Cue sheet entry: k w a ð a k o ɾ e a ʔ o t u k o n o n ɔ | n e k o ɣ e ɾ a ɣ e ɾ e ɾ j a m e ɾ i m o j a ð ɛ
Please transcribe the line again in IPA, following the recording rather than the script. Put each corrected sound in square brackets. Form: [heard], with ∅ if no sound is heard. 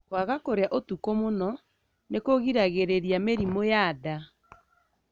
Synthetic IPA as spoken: k w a [ɣ] a k o ɾ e a ʔ o t u k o [m] o n ɔ | n e k o ɣ [i] ɾ a ɣ e ɾ e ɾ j a m e ɾ i m o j a ð [a]